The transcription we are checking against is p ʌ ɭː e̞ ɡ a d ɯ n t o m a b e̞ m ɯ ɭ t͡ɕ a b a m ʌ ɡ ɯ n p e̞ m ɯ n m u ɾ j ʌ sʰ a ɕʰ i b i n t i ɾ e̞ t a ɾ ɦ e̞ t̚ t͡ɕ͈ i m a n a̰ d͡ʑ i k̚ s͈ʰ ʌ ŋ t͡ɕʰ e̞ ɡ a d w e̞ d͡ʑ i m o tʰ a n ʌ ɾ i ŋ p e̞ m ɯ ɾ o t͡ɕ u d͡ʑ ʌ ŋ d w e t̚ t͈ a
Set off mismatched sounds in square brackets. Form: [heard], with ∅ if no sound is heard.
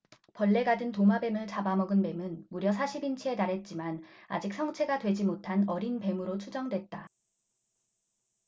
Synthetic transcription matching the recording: p ʌ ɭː e̞ ɡ a d ɯ n t o m a b e̞ m ɯ ɭ t͡ɕ a b a m ʌ ɡ ɯ n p e̞ m ɯ n m u ɾ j ʌ sʰ a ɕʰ i b i n [t͡ɕʰ] i [∅] e̞ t a ɾ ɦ e̞ t̚ t͡ɕ͈ i m a n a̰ d͡ʑ i k̚ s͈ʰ ʌ ŋ t͡ɕʰ e̞ ɡ a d w e̞ d͡ʑ i m o tʰ a n ʌ ɾ i [n] p e̞ m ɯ ɾ o [t͡ɕʰ] u d͡ʑ ʌ ŋ d w e t̚ t͈ a